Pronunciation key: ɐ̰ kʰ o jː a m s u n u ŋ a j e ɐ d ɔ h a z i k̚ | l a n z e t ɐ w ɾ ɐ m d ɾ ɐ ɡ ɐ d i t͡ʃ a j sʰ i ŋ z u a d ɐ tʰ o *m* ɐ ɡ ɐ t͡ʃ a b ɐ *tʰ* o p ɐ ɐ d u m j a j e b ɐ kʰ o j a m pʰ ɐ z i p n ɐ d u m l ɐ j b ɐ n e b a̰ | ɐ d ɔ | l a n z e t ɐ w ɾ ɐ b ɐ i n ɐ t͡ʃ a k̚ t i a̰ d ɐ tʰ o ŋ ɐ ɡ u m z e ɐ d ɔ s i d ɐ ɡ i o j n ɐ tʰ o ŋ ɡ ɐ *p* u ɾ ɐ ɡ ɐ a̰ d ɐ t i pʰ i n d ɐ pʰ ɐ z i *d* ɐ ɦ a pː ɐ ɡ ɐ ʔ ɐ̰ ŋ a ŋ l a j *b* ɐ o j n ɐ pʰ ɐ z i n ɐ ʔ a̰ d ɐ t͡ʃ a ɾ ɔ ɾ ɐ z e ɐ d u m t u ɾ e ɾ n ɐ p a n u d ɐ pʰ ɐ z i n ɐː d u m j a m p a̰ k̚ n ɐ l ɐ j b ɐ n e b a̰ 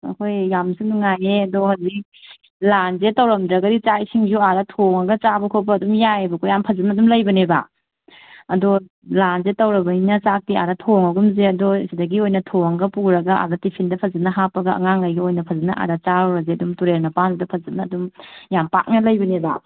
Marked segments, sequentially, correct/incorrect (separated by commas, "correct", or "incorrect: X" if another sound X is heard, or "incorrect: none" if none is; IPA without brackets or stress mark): incorrect: ŋ, incorrect: kʰ, correct, incorrect: n, incorrect: ɡ